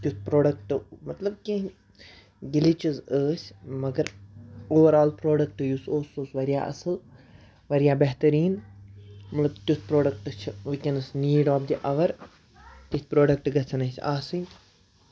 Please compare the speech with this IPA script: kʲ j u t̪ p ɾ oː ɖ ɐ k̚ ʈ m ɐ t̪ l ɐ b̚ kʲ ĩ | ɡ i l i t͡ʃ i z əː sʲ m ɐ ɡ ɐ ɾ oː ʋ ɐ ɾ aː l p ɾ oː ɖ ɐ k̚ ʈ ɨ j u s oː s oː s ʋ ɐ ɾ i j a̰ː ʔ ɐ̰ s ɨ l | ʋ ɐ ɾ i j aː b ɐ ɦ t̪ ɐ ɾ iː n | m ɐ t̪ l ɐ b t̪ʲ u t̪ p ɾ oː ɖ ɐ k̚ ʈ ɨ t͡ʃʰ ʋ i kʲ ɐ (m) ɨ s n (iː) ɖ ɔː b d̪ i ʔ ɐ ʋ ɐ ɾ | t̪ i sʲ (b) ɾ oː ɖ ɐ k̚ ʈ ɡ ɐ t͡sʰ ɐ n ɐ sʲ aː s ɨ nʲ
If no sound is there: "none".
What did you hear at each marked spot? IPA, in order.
n, iː, p

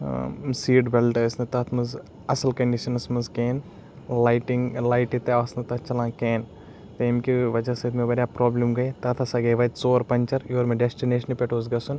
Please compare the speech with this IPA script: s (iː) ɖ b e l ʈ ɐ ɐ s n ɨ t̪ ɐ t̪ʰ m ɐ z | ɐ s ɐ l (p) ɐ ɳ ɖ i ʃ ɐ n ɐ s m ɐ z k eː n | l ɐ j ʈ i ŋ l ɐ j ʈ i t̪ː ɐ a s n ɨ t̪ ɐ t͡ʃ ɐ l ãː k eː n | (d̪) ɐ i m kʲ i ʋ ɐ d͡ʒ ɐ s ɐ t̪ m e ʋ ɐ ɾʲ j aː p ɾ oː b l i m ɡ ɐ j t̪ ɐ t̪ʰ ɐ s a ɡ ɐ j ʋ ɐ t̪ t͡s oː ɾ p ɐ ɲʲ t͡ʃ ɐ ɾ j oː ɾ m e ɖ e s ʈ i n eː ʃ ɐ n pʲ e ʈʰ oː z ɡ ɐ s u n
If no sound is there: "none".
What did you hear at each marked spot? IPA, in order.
iː, k, t̪

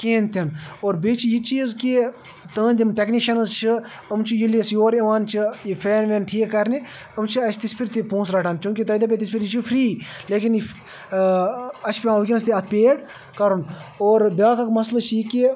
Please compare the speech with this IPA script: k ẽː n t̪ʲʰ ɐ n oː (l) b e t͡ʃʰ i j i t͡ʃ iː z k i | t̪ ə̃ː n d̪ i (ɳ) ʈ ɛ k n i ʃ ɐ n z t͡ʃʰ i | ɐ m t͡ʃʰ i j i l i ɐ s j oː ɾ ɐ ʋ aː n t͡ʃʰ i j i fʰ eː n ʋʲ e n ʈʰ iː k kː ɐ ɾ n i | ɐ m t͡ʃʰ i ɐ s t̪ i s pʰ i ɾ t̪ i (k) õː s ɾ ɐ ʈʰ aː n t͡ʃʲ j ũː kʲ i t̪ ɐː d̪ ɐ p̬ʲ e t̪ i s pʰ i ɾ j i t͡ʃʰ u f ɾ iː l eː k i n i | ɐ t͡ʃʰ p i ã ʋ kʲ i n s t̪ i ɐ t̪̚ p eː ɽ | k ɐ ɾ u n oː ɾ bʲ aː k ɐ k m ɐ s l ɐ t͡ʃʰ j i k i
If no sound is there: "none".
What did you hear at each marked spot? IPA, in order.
ɾ, m, p

